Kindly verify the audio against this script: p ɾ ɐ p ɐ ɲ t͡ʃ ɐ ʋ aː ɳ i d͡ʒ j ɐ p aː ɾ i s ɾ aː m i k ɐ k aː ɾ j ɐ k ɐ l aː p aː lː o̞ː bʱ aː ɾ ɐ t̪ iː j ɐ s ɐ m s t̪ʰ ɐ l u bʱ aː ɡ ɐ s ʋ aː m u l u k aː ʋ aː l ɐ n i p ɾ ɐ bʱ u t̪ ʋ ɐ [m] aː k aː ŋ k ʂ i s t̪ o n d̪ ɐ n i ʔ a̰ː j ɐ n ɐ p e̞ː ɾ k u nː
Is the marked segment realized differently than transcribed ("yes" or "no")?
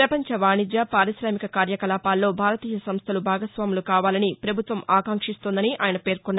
no